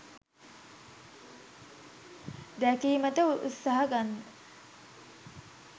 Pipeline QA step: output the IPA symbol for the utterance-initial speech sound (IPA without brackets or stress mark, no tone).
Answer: d̪